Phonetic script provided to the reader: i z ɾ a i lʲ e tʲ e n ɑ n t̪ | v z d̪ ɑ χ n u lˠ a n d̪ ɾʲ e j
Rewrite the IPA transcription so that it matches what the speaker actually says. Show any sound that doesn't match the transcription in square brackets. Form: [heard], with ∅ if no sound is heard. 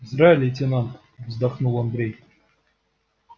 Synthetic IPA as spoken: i z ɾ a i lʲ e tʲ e n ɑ n t̪ | v z d̪ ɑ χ n u lˠ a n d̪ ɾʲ e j